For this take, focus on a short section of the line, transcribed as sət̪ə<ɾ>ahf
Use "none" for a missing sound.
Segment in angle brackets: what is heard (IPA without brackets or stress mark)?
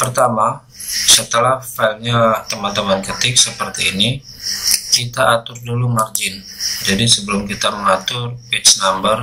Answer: l